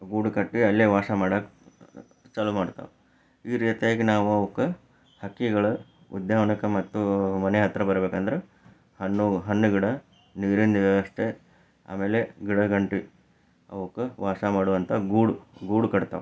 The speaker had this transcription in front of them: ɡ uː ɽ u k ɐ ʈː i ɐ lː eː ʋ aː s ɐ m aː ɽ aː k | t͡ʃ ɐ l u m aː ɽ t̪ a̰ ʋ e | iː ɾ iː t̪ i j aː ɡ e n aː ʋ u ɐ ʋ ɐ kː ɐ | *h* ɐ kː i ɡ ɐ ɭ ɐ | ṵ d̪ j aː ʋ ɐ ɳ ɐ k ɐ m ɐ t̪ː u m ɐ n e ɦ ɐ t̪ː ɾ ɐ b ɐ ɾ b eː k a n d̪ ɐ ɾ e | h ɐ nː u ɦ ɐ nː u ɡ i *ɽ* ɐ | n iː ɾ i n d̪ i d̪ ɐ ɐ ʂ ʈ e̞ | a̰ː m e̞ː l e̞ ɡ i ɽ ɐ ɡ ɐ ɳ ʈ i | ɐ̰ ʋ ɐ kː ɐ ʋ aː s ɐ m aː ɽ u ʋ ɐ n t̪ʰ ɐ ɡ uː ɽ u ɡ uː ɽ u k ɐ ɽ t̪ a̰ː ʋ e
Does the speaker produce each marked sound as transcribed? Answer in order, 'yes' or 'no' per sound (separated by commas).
yes, yes